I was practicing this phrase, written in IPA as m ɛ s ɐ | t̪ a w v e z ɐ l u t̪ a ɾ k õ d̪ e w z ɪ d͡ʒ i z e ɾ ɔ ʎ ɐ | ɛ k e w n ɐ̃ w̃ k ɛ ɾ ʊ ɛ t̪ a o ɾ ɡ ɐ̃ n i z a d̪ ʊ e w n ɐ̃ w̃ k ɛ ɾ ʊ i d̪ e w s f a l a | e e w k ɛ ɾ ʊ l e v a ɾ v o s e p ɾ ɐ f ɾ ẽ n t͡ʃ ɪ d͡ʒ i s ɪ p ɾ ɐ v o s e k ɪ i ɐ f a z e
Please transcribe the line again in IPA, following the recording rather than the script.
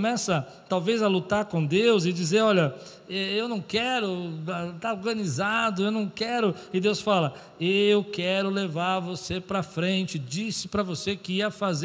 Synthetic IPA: m ɛ s ɐ | t̪ a w v e z ɐ l u t̪ a ɾ k õ d̪ e w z ɪ d͡ʒ i z e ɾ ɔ ʎ ɐ | ɛ e w n ɐ̃ w̃ k ɛ ɾ ʊ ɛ t̪ a o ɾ ɡ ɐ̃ n i z a d̪ ʊ e w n ɐ̃ w̃ k ɛ ɾ ʊ ɪ d̪ e w s f a l ɐ | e e w k ɛ ɾ ʊ l e v a ɾ v o s e p ɾ ɐ f ɾ ẽ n t͡ʃ ɪ d͡ʒ i s ɪ p ɾ ɐ v o s e k ɪ i ɐ f a z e